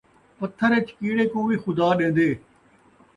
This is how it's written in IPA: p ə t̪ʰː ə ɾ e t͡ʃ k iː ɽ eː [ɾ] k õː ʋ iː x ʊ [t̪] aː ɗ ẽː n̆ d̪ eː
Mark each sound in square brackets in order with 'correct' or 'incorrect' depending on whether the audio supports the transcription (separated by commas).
incorrect, incorrect